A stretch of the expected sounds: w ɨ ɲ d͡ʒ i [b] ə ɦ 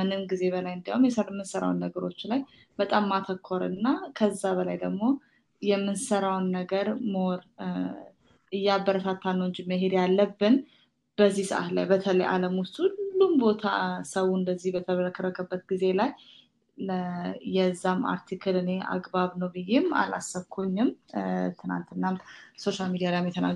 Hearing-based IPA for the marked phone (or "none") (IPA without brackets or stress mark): m